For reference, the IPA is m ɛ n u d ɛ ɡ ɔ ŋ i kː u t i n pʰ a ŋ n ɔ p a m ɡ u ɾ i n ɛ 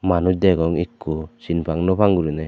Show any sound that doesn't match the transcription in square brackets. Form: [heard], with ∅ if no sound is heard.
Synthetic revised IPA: m [a] n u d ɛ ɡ ɔ ŋ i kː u [s] i n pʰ a ŋ n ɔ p a [ŋ] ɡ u ɾ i n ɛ